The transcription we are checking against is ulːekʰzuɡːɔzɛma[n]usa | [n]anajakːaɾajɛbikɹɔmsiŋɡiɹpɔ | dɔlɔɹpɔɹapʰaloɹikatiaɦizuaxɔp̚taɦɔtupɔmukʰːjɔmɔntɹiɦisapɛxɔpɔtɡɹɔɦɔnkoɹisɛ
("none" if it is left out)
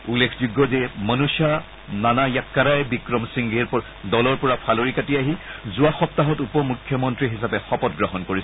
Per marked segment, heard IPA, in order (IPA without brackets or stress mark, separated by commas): n, n